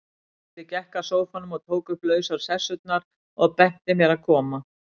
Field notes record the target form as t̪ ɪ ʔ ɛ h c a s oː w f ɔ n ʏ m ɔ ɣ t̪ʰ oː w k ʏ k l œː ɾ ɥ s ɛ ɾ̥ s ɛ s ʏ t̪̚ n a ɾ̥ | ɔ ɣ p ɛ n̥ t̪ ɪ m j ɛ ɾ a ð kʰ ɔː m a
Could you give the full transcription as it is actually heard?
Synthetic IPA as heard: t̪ ɪ c ɛ h k a s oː w f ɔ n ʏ m ɔ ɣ t̪ʰ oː w k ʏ p l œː ɥ s a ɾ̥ s ɛ s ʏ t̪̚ n a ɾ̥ | ɔ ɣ p ɛ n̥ t̪ ɪ m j ɛ ɾ a ð kʰ ɔː m a

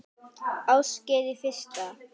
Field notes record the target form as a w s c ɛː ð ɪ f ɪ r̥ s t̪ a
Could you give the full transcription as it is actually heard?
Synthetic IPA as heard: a w s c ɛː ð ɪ f ɪ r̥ s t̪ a

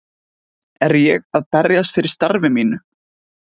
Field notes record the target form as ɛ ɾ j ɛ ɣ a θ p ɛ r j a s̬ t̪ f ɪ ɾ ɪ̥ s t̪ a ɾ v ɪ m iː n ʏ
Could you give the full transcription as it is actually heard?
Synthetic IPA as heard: ɛ ɾ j ɛ ɣ a ð p ɛ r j a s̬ t̪ f ɪ ɾ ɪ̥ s t̪ a ɾ v ɪ m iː n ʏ

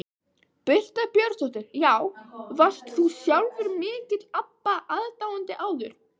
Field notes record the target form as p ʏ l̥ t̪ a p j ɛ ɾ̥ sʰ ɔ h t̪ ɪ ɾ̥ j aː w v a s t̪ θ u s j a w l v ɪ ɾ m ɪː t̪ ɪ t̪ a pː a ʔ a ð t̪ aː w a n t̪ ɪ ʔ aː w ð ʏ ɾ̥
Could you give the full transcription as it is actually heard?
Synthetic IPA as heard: p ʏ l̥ t̪ a p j œ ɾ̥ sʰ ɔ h t̪ ɪ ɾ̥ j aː w v a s t̪ θ u s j a w l v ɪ ɾ m ɪː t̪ ɪ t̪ a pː a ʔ a ð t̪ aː w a n t̪ ɪ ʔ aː w ð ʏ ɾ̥

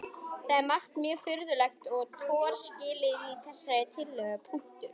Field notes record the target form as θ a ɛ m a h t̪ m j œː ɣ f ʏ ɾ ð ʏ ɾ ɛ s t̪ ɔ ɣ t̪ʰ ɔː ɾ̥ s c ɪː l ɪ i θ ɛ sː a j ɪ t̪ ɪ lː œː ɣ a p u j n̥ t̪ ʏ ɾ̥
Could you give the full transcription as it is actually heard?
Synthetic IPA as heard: θ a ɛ m a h t̪ m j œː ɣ f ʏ ɾ ð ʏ l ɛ x t̪ ɔ ɣ t̪ʰ ɔː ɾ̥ s c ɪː l ɪ i θ ɛ sː a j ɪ t̪ʰ ɪ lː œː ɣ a pʰ u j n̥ t̪ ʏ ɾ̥

